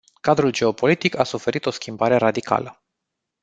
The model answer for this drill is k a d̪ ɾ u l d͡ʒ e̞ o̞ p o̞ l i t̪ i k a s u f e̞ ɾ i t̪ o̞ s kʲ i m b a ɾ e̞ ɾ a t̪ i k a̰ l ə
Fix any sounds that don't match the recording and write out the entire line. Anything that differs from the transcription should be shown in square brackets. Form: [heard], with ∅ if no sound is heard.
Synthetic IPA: k a d̪ ɾ u l d͡ʒ e̞ o̞ p o̞ l i t̪ i k a s u f e̞ ɾ i t̪ o̞ s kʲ i m b a ɾ e̞ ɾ a [d̪] i k a̰ l ə